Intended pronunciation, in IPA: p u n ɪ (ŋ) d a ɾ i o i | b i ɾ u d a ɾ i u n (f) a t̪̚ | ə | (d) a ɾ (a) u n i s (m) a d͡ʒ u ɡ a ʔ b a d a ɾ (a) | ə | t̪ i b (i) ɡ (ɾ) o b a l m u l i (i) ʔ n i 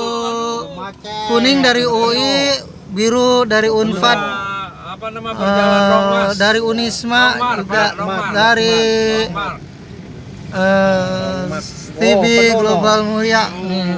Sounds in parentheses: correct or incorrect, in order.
correct, correct, correct, incorrect: i, correct, incorrect: i, correct, incorrect: l, incorrect: a

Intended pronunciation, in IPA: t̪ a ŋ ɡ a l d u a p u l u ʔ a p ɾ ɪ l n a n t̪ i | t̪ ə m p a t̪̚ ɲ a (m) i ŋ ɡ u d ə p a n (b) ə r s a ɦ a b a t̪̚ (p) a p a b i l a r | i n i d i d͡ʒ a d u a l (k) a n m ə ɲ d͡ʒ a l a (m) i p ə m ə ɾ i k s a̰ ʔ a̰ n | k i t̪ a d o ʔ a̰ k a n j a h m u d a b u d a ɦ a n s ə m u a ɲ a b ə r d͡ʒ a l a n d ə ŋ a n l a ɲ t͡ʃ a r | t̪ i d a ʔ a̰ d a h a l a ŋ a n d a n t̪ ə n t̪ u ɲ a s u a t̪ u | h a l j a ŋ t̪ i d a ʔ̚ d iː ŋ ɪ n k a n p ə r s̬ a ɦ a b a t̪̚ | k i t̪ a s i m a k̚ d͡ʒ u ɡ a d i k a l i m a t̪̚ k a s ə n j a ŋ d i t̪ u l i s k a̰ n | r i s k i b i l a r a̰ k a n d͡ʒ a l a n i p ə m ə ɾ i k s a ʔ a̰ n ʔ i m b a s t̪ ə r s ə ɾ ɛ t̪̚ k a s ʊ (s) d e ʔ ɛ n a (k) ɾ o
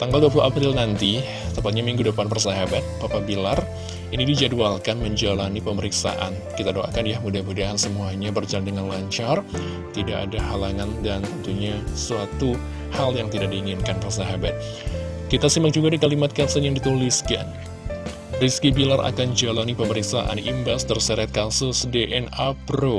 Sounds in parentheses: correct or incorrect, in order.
correct, incorrect: p, correct, correct, incorrect: n, correct, incorrect: p

